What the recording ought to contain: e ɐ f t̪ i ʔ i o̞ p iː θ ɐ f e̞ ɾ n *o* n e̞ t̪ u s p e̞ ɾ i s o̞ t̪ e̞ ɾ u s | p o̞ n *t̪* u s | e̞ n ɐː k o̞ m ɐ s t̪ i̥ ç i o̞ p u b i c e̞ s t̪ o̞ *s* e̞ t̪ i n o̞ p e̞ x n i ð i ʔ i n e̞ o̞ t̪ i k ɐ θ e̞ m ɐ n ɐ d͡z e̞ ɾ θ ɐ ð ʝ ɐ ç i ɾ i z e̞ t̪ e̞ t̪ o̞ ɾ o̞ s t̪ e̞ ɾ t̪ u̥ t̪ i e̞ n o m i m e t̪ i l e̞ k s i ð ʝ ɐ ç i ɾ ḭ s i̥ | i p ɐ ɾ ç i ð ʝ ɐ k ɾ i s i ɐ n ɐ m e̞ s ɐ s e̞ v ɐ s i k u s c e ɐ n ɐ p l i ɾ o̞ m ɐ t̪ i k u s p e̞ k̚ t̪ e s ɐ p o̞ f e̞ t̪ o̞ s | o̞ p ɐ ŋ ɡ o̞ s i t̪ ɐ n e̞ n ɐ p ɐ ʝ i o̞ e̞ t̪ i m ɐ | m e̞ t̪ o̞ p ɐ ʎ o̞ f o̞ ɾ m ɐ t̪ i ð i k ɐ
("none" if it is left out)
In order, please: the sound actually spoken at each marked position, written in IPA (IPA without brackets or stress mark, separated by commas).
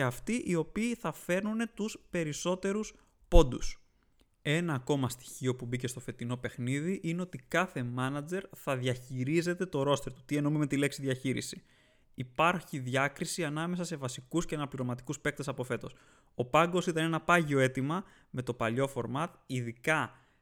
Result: u, d̪, f